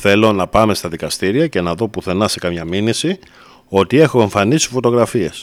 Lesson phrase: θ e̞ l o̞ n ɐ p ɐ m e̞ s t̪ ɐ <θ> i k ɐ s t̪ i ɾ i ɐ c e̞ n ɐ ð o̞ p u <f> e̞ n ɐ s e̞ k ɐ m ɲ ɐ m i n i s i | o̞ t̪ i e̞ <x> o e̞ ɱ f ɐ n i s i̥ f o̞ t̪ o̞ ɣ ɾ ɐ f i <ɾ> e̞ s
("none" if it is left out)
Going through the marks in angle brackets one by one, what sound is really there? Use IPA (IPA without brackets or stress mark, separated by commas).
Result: ð, θ, x, none